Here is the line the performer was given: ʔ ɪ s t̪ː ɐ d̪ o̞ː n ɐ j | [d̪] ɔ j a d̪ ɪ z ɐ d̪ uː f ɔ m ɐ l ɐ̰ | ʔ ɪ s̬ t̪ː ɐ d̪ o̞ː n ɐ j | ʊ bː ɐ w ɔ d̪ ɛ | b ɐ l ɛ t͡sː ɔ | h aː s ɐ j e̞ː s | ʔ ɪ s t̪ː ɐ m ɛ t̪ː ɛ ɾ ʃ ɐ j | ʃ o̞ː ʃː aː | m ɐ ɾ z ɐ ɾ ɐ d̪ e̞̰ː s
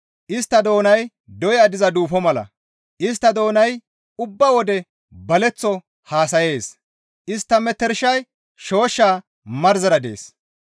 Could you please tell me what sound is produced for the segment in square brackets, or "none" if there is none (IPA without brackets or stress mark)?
d̪